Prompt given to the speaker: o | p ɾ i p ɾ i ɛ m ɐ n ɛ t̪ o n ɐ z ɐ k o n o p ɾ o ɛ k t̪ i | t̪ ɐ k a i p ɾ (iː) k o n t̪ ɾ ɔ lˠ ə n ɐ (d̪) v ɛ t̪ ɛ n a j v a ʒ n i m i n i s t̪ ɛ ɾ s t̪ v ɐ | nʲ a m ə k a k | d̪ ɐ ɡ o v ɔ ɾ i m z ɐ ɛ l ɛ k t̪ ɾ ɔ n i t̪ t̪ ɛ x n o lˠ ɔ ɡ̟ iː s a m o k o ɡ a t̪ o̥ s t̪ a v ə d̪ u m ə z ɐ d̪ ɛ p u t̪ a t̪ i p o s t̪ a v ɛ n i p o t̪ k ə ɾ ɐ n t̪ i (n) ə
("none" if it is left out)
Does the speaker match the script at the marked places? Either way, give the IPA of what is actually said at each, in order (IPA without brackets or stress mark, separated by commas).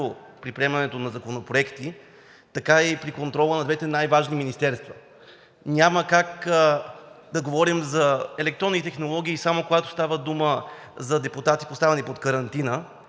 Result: i, d̪, n